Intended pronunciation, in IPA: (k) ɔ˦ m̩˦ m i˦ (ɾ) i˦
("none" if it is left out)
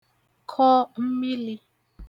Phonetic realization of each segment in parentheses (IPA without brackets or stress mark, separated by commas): kʰ, l